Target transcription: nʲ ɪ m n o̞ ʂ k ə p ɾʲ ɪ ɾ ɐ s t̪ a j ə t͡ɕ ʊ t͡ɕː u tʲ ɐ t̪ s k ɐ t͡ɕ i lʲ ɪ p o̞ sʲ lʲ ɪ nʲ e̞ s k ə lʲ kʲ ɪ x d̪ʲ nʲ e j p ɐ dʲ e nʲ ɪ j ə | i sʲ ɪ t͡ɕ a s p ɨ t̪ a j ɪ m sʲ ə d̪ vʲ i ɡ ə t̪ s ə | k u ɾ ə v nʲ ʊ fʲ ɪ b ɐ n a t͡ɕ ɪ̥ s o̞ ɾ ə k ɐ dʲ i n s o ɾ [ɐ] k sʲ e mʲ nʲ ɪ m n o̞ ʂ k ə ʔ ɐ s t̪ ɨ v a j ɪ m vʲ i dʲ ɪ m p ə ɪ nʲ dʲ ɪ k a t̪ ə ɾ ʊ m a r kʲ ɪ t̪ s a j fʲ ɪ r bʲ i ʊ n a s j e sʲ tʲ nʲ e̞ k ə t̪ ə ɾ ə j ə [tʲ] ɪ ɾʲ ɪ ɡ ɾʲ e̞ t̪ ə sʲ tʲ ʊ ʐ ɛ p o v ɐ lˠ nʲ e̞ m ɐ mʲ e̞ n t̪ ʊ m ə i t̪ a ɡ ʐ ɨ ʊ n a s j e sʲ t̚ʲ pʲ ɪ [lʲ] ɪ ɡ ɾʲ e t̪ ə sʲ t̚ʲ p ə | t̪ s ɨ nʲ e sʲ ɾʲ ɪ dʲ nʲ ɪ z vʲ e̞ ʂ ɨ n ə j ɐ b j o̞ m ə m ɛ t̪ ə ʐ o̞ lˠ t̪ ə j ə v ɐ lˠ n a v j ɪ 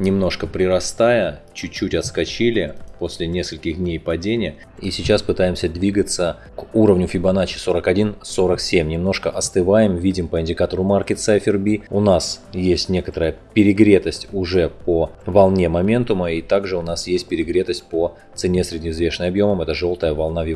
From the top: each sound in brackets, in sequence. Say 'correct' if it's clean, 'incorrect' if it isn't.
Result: incorrect: ə, incorrect: pʲ, incorrect: ɾʲ

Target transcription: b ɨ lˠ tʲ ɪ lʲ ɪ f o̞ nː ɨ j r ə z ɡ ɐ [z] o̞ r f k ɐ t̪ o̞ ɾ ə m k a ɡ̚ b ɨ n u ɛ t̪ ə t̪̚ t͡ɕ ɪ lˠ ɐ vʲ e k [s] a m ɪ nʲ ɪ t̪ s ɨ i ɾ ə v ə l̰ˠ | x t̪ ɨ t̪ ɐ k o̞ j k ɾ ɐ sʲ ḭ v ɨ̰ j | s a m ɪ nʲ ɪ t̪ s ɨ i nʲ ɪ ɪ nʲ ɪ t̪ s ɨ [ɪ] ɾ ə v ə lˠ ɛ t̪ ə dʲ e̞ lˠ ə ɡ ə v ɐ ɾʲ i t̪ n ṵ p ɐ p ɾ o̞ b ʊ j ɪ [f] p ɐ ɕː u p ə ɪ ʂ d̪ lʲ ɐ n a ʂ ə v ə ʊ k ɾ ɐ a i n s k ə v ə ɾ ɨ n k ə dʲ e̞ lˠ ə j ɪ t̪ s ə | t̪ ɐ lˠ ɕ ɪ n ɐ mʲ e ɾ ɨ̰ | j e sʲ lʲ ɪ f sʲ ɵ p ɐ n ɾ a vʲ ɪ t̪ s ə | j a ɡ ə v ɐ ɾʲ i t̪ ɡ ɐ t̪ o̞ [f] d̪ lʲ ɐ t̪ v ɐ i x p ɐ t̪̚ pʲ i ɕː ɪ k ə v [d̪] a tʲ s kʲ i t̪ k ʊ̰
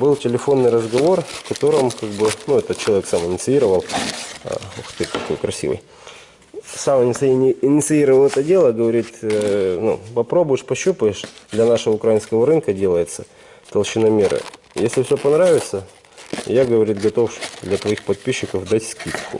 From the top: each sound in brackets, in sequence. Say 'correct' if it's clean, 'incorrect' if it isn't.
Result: incorrect: v, correct, incorrect: i, incorrect: ʂ, correct, correct

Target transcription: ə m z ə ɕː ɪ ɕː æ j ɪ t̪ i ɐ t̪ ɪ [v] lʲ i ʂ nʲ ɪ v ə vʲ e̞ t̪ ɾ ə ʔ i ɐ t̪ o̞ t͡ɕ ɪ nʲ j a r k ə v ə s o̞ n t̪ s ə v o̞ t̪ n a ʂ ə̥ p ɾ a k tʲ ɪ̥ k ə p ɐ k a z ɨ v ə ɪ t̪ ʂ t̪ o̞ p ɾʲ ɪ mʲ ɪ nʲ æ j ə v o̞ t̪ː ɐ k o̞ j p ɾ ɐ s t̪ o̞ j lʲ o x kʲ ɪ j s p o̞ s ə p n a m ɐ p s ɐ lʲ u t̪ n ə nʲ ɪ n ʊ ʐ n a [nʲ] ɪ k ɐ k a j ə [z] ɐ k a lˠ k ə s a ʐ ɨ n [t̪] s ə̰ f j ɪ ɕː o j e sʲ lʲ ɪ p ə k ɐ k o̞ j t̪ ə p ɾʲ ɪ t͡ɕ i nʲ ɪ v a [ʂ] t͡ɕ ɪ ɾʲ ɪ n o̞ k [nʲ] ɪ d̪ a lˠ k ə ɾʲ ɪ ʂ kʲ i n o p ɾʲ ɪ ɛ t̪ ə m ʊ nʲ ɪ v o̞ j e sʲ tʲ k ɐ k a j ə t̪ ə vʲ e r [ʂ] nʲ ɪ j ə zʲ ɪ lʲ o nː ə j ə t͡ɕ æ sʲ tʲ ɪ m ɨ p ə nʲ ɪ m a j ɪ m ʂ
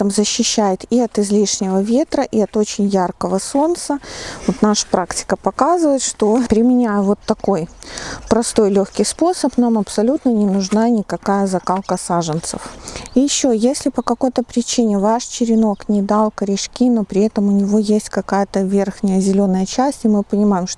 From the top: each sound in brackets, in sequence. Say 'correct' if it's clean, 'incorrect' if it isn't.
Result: incorrect: z, correct, correct, correct, correct, correct, incorrect: x

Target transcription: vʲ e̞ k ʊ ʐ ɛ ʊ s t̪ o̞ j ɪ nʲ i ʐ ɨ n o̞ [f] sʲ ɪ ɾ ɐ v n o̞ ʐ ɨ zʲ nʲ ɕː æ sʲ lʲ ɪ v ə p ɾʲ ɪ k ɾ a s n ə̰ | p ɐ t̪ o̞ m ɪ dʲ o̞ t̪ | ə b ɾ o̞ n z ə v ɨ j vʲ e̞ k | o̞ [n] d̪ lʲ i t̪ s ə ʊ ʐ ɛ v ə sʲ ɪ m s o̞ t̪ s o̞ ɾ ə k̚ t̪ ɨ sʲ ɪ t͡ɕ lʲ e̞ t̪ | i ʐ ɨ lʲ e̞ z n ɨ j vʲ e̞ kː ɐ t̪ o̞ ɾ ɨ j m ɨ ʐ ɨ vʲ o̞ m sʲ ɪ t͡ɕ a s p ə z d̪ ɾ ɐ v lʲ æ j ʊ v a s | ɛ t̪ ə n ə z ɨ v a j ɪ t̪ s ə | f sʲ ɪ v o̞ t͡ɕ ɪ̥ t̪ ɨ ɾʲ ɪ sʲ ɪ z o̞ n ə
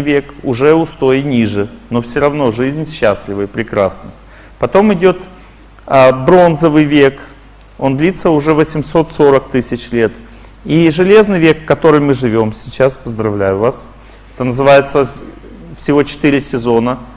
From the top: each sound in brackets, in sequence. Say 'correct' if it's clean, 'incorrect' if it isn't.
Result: correct, correct

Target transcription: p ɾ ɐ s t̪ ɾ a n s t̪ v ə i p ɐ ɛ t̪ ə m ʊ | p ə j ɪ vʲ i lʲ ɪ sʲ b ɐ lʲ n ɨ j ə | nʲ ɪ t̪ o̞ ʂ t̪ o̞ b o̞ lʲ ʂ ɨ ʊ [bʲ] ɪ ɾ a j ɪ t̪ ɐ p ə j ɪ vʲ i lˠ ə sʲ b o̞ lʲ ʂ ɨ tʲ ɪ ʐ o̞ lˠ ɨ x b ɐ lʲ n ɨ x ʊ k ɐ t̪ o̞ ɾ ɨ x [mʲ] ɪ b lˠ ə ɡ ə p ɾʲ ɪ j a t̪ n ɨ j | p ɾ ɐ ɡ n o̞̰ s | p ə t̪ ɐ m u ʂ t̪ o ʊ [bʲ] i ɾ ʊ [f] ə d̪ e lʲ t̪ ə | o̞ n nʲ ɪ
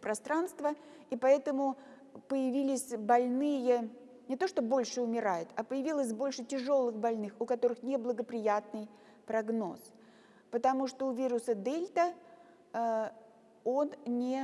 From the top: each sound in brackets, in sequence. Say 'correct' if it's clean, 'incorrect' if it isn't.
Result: incorrect: mʲ, incorrect: nʲ, incorrect: vʲ, incorrect: s

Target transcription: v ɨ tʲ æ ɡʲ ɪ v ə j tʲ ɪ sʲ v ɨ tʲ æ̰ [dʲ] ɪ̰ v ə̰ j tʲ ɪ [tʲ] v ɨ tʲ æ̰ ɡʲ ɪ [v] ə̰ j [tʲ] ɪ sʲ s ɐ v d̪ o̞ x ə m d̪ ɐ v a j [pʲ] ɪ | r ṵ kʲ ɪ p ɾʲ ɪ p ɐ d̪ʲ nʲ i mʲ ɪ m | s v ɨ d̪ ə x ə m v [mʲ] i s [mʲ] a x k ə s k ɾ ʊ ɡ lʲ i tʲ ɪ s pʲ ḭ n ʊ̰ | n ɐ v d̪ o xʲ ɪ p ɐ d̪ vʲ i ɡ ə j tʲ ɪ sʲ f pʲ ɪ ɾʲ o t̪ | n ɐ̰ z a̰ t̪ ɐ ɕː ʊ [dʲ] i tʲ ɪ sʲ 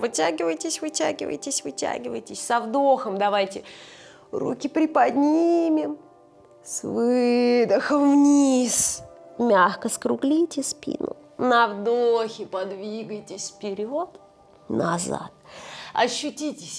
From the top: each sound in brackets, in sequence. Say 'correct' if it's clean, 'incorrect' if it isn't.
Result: incorrect: ɡʲ, incorrect: sʲ, correct, correct, incorrect: tʲ, incorrect: nʲ, correct, incorrect: tʲ

